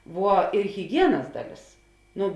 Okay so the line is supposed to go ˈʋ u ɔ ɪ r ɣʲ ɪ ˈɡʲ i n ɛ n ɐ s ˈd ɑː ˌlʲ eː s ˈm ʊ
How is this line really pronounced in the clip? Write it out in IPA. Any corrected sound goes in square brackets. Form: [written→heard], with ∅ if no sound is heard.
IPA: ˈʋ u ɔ ɪ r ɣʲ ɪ ˈɡʲ i [n→∅] ɛ n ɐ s ˈd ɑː ˌlʲ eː s [ˈm→ˈn] ʊ